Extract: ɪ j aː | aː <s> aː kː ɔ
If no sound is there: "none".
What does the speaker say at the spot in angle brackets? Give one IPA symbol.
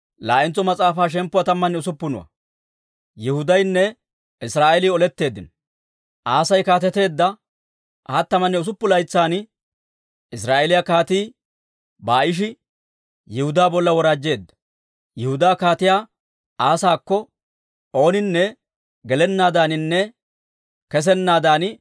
s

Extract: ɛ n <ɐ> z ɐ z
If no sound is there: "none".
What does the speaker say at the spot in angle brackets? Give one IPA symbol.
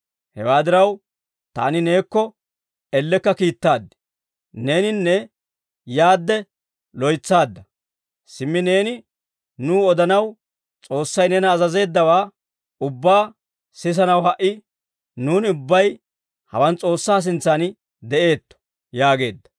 ɐː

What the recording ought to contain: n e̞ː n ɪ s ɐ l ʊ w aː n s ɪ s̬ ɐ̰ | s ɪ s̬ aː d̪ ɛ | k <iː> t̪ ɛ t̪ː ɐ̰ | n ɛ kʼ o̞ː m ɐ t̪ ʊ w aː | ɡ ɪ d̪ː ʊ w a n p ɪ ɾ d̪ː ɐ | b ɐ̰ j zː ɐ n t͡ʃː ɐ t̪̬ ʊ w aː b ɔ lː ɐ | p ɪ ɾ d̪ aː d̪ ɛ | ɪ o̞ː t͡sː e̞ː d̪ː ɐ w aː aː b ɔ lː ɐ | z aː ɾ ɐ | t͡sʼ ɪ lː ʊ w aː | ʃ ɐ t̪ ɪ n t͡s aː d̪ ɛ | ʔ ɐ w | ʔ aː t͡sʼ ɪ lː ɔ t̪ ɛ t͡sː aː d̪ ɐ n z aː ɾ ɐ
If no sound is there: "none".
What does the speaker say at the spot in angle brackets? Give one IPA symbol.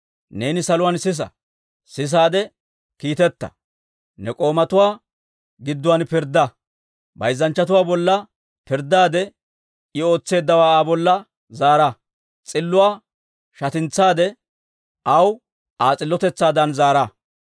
iː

